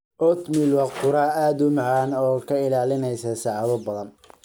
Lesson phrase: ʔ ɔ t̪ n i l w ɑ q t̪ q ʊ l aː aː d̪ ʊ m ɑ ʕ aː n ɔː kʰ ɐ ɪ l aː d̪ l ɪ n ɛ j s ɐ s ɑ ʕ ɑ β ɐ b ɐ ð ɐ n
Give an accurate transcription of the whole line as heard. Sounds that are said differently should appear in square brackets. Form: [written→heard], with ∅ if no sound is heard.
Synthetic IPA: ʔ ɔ t̪ [n→m] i l w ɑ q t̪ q ʊ [l→ɾ] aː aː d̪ ʊ m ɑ ʕ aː n ɔː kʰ ɐ ɪ l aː [d̪→∅] l ɪ n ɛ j s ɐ s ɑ ʕ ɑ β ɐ b ɐ ð ɐ n